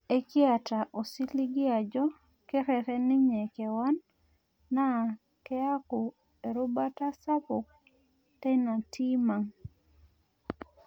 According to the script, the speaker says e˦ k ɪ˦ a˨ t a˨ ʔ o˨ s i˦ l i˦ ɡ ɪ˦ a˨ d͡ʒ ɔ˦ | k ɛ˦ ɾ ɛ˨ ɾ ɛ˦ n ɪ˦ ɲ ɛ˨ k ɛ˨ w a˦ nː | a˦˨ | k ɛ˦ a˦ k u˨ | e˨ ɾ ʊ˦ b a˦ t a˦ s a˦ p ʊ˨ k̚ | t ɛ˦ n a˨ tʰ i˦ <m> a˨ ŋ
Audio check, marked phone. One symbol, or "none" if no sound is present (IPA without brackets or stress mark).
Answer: m